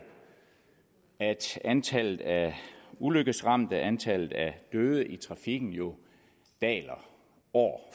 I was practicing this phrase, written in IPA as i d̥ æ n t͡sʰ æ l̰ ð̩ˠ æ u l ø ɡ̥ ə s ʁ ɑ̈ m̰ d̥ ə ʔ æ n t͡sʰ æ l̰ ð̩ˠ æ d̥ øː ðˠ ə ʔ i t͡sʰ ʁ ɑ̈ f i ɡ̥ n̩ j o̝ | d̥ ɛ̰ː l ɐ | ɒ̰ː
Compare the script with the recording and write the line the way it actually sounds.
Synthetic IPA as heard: æ d̥ æ n t͡sʰ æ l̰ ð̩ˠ æ u l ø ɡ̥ ə s ʁ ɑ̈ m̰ d̥ ə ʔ æ n t͡sʰ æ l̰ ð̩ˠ æ d̥ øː ðˠ ə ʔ i t͡sʰ ʁ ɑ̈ f i ɡ̥ n̩ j o̝ | d̥ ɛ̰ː l ɐ | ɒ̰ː

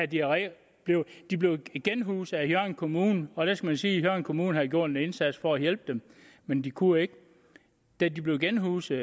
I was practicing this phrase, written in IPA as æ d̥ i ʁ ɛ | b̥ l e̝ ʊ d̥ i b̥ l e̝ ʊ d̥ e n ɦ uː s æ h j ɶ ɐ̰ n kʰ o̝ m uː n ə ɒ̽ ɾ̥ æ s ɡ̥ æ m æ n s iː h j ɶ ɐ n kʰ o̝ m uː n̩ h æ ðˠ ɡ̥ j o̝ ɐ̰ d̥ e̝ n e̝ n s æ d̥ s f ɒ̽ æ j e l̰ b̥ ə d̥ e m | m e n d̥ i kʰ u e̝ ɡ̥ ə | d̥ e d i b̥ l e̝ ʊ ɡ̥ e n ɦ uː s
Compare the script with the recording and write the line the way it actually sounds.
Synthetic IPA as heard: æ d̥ i ʁ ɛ | b̥ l e̝ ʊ d̥ i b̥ l e̝ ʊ ɡ̥ e n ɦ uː s æ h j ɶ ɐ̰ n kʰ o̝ m uː n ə ɒ̽ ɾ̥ æ s ɡ̥ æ m æ n s iː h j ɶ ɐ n kʰ o̝ m uː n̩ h æ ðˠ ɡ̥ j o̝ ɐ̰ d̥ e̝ n e̝ n s æ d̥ s f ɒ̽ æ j e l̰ b̥ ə d̥ e m | m e n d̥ i kʰ u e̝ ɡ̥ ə | d̥ æ d i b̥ l e̝ ʊ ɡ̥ e n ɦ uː s

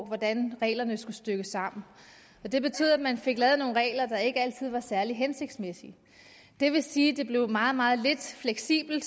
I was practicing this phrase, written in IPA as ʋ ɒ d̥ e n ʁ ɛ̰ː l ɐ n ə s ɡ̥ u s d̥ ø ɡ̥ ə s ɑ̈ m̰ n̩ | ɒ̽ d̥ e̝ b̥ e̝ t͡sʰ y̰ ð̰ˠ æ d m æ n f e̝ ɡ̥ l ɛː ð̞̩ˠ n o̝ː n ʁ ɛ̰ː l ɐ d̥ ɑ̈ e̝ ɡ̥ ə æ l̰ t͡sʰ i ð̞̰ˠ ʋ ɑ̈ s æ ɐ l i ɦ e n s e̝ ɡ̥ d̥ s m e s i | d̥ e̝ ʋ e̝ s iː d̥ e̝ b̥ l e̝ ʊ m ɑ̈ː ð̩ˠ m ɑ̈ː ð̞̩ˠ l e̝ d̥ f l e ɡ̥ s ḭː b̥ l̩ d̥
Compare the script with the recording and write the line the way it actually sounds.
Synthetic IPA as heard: ʋ ɒ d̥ æ n ʁ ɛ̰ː l ɐ n ə s ɡ̥ u s d̥ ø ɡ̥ ə s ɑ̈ m̰ n̩ | ɒ̽ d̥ e̝ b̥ e̝ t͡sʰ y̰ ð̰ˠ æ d m æ n f e̝ ɡ̥ l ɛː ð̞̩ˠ n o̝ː n ʁ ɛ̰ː l ɐ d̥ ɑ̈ e̝ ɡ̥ ə æ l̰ t͡sʰ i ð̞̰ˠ ʋ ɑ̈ s æ ɐ l i ɦ e n s e̝ ɡ̥ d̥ s m e s i | d̥ e̝ ʋ e̝ s iː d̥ e̝ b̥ l e̝ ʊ m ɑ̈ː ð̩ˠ m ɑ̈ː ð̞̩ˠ l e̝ d̥ f l e ɡ̥ s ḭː b̥ l̩ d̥

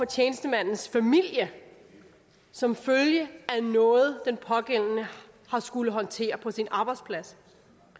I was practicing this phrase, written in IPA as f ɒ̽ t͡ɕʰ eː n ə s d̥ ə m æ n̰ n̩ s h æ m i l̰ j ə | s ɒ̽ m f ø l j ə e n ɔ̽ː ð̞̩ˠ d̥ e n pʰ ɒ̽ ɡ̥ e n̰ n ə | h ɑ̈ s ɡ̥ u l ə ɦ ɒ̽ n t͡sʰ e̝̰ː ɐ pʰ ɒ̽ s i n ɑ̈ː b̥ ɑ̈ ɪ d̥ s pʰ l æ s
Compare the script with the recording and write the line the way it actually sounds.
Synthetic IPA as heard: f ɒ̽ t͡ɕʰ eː n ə s d̥ ə m æ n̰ n̩ s f æ m i l̰ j ə | s ɒ̽ m f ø l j ə æ n ɔ̽ː ð̞̩ˠ d̥ e n pʰ ɒ̽ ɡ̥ e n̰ n ə | h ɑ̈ s ɡ̥ u l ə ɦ ɒ̽ n t͡sʰ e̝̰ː ɐ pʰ ɒ̽ s i n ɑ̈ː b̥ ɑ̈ ɪ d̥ s pʰ l æ s

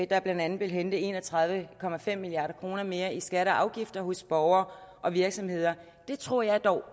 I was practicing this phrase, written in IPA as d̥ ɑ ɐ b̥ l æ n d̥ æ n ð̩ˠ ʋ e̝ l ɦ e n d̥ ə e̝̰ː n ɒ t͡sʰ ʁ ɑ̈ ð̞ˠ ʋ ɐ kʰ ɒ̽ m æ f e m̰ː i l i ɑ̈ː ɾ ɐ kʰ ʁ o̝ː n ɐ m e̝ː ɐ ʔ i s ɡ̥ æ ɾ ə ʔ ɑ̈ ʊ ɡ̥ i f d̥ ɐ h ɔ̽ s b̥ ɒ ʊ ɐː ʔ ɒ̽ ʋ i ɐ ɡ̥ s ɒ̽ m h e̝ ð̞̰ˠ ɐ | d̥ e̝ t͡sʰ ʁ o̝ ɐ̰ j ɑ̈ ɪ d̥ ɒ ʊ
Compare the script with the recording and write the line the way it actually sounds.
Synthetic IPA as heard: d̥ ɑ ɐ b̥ l æ n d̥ æ n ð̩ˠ ʋ e̝ l ɦ e n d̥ ə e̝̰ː n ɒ t͡sʰ ʁ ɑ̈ ð̞ˠ ʋ ə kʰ ɒ̽ m æ f e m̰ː i l i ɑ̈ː ɾ ɐ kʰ ʁ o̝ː n ɐ m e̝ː ɐ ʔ i s ɡ̥ æ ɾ ə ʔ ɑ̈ ʊ ɡ̥ i f d̥ ɐ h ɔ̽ s b̥ ɒ ʊ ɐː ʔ ɒ̽ ʋ i ɐ ɡ̥ s ɒ̽ m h e̝ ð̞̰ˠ ɐ | d̥ e̝ t͡sʰ ʁ o̝ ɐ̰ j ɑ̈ ɪ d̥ ɒ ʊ

